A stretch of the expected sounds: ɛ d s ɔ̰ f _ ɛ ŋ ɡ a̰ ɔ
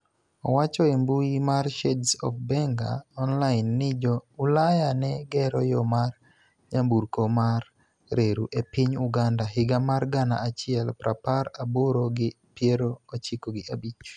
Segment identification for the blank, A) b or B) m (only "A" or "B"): A